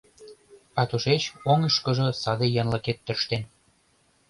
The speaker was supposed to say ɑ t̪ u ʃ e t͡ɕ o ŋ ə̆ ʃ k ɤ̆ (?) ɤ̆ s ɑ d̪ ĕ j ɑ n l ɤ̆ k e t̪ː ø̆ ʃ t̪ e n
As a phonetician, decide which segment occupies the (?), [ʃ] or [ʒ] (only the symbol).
ʒ